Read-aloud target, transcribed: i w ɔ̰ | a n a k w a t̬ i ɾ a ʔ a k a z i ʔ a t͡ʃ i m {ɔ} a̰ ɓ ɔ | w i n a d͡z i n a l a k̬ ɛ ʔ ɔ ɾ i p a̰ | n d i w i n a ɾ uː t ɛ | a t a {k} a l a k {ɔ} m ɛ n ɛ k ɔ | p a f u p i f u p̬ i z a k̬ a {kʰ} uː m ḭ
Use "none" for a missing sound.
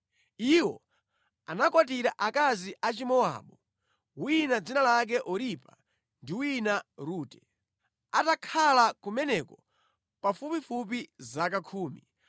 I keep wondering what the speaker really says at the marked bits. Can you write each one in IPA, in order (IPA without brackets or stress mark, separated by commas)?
ɔ, kʰ, u, kʰ